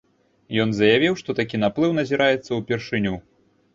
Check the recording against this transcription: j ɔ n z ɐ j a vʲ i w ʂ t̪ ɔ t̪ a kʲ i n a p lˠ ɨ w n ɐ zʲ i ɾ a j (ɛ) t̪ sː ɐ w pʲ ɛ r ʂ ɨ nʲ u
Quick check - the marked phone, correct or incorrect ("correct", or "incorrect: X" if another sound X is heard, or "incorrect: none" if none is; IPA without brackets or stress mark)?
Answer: correct